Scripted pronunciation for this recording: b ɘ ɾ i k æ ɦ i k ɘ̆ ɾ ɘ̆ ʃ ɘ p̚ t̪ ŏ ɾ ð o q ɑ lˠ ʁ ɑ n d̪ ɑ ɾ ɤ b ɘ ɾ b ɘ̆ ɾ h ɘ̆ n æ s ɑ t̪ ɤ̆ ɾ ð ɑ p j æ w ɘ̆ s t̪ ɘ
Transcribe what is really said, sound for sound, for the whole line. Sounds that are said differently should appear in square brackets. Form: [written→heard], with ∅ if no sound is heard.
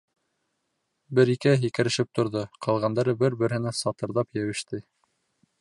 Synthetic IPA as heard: b ɘ ɾ i k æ ɦ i k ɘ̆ ɾ ɘ̆ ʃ ɘ p̚ t̪ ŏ ɾ ð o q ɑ lˠ ʁ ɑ n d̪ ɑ ɾ ɤ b ɘ ɾ b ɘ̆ ɾ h ɘ̆ n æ s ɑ t̪ ɤ̆ ɾ ð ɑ p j æ w ɘ̆ [s→ʃ] t̪ ɘ